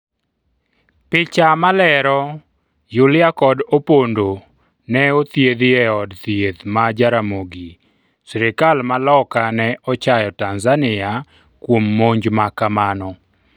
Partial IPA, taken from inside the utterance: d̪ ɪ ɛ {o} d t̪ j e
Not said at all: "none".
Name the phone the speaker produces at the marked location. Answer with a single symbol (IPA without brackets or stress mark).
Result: ɔ